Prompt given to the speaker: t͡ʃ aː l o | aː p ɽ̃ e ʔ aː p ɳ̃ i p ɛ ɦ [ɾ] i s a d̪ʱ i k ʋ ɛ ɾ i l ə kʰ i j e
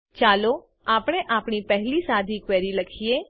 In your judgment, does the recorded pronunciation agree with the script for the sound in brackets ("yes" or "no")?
no